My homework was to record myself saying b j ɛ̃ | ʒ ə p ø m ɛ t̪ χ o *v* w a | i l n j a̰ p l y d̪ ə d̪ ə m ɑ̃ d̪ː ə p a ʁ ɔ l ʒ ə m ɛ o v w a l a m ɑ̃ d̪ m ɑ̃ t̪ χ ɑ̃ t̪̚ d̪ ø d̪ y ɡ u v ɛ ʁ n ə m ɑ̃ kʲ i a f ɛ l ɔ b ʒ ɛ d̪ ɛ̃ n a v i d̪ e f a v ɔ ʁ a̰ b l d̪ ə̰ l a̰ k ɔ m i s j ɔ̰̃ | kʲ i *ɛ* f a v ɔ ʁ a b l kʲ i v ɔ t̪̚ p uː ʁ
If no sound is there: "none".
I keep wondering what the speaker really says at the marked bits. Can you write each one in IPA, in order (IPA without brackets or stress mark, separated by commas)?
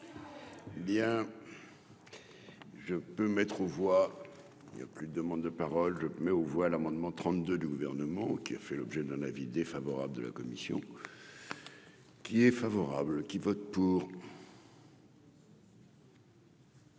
v, ɛ